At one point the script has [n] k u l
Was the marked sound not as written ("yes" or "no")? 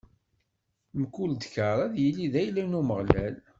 yes